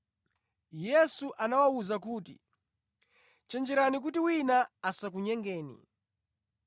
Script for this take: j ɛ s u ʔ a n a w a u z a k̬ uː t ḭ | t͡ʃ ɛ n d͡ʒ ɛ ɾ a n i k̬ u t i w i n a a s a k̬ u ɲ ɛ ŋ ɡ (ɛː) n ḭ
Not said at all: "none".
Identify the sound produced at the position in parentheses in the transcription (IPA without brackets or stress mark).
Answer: ɛː